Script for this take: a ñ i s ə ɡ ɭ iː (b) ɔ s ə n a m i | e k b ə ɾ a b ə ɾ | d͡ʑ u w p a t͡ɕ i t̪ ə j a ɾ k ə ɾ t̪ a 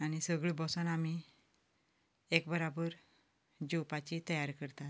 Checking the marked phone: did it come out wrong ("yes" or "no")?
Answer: no